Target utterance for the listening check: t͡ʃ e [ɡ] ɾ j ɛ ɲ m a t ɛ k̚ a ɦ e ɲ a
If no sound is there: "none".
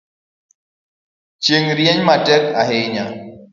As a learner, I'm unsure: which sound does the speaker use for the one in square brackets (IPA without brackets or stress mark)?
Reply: ŋ